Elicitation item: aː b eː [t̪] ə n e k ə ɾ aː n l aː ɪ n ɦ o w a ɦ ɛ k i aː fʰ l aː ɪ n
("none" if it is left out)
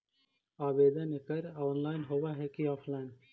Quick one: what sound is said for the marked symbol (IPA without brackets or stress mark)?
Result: d̪